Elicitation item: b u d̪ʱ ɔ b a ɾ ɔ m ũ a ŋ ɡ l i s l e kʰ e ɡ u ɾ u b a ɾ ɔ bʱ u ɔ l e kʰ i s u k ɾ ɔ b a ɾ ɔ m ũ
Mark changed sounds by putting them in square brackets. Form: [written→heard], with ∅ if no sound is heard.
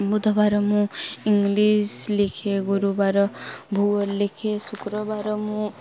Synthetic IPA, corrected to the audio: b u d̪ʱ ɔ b a ɾ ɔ m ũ [a→i] ŋ ɡ l i s l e kʰ e ɡ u ɾ u b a ɾ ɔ bʱ u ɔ l e kʰ [i→e] s u k ɾ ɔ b a ɾ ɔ m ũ